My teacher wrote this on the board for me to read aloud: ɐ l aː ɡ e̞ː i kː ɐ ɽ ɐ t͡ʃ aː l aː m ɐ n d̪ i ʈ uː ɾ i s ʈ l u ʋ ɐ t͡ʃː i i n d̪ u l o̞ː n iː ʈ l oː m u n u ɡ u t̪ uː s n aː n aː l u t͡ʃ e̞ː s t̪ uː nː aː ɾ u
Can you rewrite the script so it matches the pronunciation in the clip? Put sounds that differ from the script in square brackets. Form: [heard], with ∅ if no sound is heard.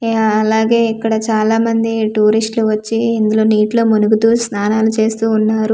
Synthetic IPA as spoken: ɐ l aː ɡ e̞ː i kː ɐ ɽ ɐ t͡ʃ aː l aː m ɐ n d̪ i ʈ uː ɾ i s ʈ l u ʋ ɐ t͡ʃː i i n d̪ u l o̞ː n iː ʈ l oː m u n u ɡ u t̪ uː s n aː n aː l u t͡ʃ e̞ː s t̪ uː nː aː ɾ u